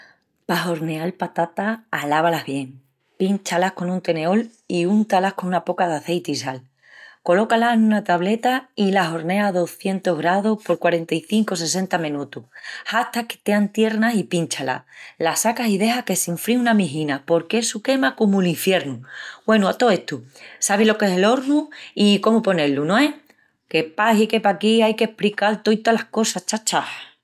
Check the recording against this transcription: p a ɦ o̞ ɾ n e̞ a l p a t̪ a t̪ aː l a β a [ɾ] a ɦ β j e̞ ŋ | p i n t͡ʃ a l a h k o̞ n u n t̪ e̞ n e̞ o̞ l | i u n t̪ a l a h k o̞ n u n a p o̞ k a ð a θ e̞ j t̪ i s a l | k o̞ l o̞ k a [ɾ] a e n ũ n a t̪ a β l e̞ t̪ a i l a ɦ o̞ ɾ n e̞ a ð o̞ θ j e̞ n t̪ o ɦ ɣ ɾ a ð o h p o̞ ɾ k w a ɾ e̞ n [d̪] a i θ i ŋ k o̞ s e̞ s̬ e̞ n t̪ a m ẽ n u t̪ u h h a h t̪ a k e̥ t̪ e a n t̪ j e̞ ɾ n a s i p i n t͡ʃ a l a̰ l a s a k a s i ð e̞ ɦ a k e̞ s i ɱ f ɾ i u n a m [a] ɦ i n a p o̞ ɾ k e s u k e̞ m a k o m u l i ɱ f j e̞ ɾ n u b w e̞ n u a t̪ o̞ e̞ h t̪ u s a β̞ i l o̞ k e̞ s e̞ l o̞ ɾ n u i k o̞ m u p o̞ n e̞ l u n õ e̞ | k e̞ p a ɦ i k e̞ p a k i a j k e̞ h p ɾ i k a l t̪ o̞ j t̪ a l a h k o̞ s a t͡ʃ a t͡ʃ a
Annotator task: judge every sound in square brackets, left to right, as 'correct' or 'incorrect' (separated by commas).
incorrect, incorrect, incorrect, incorrect